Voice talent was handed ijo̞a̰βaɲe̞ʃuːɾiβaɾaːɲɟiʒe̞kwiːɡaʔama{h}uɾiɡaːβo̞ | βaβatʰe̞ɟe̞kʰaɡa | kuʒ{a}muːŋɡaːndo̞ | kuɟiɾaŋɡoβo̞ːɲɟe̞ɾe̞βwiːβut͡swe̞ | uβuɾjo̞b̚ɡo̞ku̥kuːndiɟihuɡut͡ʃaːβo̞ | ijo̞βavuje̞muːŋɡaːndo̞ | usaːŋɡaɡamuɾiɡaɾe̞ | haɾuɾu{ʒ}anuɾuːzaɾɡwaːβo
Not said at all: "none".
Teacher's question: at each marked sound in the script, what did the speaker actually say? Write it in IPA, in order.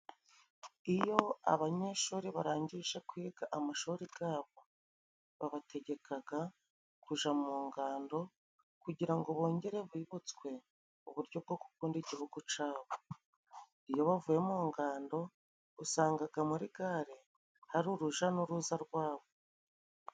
ʃ, a, ʒ

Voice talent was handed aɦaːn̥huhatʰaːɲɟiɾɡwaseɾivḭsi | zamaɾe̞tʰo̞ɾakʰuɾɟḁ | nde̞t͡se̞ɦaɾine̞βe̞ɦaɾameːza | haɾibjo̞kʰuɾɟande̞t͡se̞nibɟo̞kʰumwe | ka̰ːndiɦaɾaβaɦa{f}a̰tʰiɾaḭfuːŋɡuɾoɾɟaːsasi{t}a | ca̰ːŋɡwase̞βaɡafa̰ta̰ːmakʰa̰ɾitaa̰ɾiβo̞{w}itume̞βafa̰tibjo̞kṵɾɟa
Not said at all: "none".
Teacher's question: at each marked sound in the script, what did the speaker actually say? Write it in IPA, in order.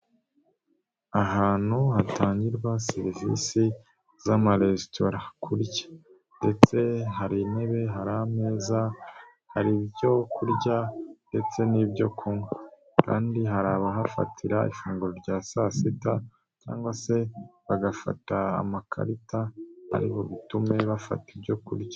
f, t, β

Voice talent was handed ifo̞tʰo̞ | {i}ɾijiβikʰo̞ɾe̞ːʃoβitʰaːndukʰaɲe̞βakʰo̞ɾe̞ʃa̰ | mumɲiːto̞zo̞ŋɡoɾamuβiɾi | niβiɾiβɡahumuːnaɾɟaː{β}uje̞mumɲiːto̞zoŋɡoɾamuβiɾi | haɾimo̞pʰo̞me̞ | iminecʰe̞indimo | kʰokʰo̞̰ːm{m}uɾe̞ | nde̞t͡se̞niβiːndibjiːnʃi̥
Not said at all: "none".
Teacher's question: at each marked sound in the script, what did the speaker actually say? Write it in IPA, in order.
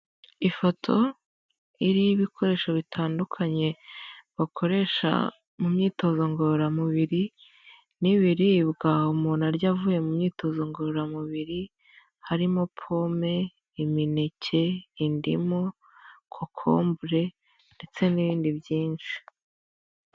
i, v, b

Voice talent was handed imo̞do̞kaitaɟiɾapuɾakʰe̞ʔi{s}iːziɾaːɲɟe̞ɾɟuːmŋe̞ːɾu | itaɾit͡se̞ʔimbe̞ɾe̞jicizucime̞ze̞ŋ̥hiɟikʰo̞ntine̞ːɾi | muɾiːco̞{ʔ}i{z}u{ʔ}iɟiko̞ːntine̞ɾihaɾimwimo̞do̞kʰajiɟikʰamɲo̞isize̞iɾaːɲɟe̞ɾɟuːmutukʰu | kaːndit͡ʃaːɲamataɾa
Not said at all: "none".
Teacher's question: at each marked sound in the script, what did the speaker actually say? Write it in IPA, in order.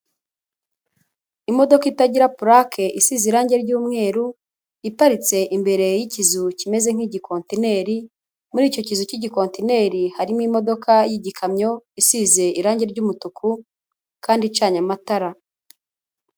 s, c, z, c

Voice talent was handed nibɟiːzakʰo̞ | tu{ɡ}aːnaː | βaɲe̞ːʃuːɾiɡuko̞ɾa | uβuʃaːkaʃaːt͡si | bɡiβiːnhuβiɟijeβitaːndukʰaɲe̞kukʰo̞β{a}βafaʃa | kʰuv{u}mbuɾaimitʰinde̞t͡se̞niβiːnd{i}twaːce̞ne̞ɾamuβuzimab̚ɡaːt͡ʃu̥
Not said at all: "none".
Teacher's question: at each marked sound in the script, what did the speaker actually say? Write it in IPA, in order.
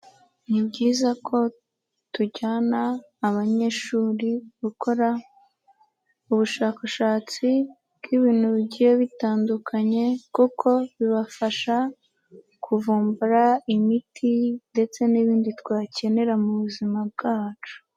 ɟ, i, uː, i

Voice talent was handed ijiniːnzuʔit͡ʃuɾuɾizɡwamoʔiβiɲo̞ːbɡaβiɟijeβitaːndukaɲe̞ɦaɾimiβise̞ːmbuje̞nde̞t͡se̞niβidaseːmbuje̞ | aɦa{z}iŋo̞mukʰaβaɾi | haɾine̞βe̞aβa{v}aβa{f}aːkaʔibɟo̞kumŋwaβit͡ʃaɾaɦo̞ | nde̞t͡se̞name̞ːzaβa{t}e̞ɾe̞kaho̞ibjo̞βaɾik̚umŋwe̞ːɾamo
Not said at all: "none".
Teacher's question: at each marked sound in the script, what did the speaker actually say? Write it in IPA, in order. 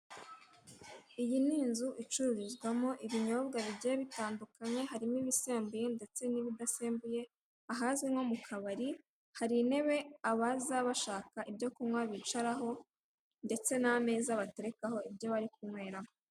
z, z, ʃ, t

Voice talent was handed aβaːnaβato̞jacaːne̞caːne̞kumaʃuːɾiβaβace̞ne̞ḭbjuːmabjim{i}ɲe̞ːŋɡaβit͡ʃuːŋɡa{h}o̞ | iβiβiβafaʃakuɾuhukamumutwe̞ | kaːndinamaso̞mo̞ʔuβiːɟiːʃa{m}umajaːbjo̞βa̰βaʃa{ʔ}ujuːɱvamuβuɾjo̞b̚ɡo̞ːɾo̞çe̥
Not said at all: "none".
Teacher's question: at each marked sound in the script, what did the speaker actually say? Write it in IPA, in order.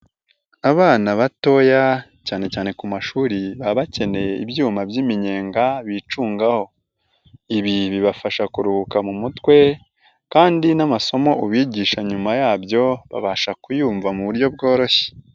i, h, ɲ, k

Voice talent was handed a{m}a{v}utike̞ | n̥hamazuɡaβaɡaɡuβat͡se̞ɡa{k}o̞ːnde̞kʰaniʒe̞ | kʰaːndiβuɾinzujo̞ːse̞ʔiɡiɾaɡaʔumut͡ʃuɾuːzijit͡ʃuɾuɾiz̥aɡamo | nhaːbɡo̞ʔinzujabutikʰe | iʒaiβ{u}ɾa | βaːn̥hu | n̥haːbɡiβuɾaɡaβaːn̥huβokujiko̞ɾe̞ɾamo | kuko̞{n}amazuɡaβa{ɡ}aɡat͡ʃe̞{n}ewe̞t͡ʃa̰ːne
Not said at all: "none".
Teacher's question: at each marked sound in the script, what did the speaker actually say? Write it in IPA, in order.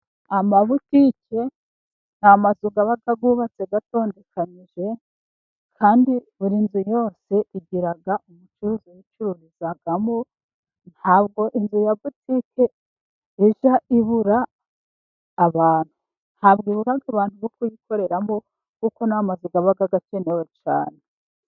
m, β, t, u, n, ɡ, n

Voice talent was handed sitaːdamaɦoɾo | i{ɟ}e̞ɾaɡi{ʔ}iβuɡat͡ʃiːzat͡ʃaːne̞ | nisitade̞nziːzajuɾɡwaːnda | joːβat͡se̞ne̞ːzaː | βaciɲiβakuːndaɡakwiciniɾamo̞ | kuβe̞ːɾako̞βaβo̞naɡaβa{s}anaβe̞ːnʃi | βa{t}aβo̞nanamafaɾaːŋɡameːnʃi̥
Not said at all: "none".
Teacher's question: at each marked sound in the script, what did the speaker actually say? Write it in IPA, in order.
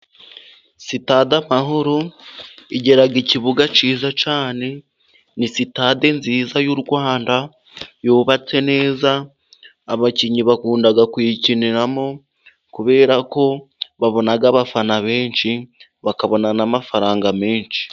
ɟ, c, f, k

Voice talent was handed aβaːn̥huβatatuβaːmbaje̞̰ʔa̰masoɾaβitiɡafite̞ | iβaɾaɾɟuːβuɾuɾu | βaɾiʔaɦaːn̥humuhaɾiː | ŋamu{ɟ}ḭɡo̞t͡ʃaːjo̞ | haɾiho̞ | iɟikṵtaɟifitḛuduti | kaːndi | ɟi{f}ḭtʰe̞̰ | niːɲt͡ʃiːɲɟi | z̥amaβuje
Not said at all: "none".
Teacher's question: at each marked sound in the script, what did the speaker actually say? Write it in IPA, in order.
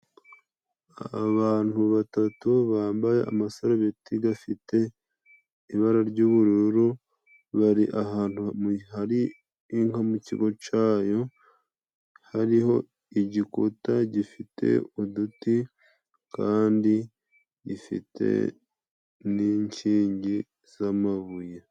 c, f

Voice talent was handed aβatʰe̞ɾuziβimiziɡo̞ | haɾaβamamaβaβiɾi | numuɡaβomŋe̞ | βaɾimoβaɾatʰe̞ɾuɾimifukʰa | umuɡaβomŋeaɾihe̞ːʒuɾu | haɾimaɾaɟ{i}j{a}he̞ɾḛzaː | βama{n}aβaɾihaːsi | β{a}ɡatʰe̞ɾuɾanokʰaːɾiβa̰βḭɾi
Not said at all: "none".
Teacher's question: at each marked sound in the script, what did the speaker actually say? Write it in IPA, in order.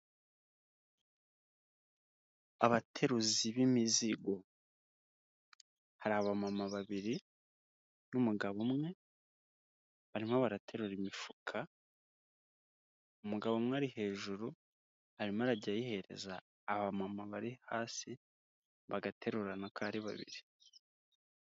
a, i, m, a

